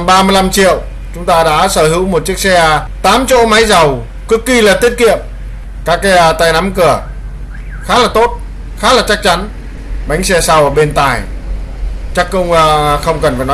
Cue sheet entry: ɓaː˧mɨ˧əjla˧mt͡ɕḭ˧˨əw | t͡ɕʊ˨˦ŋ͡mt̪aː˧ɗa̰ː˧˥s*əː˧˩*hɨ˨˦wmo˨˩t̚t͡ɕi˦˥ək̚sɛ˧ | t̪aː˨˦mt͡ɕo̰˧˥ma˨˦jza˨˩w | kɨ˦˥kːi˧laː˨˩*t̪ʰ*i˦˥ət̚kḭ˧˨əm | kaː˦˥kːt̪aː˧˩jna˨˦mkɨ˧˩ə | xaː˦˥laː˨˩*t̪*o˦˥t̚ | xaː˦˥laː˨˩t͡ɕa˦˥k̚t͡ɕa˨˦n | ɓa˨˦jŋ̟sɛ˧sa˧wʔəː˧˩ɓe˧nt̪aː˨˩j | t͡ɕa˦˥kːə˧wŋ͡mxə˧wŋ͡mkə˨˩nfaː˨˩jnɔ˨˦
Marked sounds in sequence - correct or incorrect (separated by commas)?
correct, incorrect, correct